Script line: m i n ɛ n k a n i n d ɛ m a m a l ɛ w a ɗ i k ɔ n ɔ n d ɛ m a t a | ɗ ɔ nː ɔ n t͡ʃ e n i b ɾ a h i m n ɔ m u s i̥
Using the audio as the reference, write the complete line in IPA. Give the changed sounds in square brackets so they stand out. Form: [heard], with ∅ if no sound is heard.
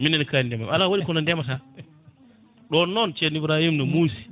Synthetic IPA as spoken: m i n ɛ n k a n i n d ɛ m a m a l [a] w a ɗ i k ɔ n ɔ n d ɛ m a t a | ɗ ɔ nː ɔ n t͡ʃ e n i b ɾ a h i m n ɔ m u s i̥